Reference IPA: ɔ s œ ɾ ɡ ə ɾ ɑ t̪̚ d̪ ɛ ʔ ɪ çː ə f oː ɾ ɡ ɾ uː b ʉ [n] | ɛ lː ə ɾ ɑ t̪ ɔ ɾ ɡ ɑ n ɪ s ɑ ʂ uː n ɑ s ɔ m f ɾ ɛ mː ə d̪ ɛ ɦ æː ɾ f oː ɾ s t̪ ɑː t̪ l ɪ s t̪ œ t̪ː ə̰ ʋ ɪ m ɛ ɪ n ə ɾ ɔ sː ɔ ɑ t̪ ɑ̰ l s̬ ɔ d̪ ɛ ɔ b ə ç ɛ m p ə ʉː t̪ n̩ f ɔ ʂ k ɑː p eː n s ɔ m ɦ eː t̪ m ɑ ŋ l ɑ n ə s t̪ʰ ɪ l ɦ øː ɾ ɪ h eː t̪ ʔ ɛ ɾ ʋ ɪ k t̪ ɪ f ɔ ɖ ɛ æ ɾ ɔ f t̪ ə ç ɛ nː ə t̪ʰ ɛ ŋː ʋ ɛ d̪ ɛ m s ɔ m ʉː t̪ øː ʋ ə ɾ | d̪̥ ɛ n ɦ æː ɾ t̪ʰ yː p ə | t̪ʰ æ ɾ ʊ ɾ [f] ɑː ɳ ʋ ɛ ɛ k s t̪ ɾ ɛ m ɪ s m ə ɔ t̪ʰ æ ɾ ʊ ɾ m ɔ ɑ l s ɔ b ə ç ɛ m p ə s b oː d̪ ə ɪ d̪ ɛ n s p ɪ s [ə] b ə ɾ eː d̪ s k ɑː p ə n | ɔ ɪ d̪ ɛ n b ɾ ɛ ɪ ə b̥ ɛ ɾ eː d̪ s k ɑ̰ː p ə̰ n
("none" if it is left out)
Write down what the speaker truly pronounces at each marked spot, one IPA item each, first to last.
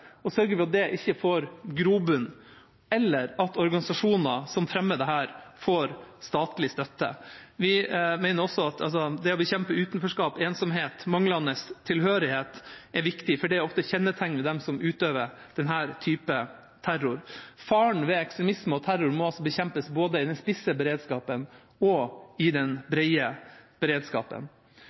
n, f, ə

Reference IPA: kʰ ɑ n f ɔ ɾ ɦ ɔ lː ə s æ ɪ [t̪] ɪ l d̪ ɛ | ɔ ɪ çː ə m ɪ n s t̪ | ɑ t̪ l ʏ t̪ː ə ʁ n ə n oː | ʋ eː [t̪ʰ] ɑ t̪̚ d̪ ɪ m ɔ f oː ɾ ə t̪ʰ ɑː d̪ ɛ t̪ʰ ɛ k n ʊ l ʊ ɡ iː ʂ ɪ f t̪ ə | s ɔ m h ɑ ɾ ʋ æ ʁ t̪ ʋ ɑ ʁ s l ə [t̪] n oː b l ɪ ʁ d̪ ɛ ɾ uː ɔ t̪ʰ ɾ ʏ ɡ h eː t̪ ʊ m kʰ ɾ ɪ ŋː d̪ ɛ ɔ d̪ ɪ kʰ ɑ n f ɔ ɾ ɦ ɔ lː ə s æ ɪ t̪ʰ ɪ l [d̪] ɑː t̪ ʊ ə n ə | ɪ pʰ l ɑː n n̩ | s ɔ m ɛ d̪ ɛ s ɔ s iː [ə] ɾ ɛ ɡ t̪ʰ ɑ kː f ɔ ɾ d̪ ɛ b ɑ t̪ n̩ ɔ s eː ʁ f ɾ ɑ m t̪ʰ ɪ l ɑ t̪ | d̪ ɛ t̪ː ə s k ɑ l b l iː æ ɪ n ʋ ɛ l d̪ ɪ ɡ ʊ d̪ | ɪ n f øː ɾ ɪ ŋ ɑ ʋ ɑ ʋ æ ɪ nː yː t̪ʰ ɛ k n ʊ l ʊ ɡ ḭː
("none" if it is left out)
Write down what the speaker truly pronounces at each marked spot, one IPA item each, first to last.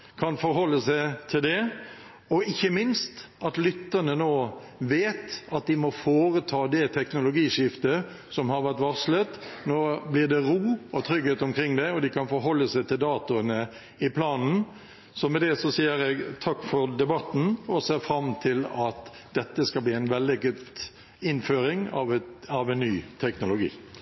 t̪ʰ, t̪, t̪, d̪, ə

